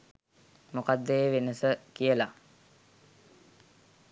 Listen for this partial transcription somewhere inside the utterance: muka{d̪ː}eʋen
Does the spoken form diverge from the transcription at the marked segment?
no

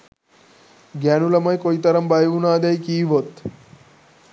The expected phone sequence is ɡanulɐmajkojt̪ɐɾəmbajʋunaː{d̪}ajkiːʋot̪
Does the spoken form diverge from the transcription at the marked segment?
no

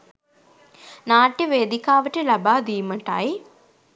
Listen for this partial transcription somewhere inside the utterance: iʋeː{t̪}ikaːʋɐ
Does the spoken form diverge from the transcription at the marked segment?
yes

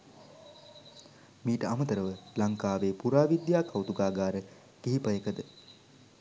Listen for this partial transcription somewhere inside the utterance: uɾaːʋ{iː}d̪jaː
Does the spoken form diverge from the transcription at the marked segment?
yes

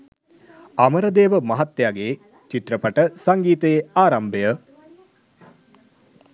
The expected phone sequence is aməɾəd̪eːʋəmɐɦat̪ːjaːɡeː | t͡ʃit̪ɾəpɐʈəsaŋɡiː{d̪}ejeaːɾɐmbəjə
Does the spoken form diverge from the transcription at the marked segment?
yes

